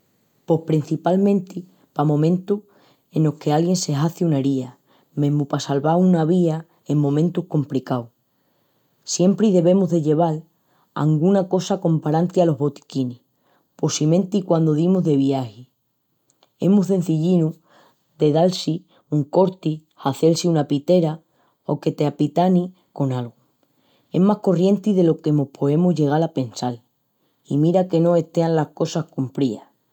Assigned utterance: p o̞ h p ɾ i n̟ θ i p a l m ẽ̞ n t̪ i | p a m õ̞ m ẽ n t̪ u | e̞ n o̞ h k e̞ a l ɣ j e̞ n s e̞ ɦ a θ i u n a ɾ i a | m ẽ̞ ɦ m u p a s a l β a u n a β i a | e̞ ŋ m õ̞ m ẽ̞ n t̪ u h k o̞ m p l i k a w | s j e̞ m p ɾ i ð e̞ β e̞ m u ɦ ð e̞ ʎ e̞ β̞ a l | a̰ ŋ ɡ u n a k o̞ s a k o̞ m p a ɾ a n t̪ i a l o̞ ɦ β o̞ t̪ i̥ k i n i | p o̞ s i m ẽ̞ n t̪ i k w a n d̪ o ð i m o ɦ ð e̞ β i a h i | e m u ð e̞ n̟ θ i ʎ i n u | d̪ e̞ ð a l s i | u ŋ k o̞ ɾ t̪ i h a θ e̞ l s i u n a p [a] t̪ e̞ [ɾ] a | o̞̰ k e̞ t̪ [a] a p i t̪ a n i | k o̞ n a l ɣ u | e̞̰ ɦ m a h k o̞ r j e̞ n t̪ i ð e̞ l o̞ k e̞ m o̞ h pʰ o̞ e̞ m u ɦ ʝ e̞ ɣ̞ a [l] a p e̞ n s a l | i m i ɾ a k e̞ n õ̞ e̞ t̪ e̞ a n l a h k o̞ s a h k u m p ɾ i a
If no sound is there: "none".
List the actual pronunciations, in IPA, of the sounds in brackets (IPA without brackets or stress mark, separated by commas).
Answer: i, ɾ, e, l